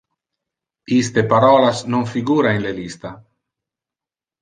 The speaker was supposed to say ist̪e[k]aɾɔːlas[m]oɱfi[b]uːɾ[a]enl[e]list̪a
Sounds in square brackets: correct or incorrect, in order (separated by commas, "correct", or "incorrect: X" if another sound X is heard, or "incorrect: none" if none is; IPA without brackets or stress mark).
incorrect: p, incorrect: n, incorrect: ɡ, correct, correct